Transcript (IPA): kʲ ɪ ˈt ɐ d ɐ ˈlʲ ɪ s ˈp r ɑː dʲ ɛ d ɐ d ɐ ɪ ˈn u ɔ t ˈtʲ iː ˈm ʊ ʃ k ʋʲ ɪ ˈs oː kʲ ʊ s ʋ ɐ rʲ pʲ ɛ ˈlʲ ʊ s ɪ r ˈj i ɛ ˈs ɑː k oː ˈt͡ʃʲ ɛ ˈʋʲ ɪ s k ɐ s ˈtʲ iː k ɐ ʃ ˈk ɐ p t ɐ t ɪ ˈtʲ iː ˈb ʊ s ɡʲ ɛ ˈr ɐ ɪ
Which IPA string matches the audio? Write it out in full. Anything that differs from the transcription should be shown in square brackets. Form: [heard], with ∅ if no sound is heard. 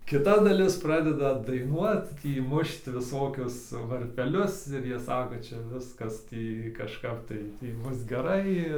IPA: kʲ ɪ ˈt ɐ d ɐ ˈlʲ ɪ s ˈp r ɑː dʲ ɛ d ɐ d ɐ ɪ ˈn u ɔ t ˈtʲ iː ˈm ʊ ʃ [t] ʋʲ ɪ ˈs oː kʲ ʊ s ʋ ɐ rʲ pʲ ɛ ˈlʲ ʊ s ɪ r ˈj i ɛ ˈs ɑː k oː ˈt͡ʃʲ ɛ ˈʋʲ ɪ s k ɐ s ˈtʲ iː k ɐ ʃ ˈk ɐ p t ɐ [∅] ɪ ˈtʲ iː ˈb ʊ s ɡʲ ɛ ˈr ɐ ɪ